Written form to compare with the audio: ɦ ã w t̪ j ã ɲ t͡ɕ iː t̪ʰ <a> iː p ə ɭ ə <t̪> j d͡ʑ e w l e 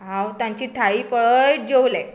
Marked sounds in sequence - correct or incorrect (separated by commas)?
correct, incorrect